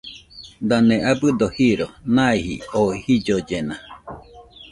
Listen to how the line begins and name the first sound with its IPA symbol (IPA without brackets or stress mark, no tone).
d̪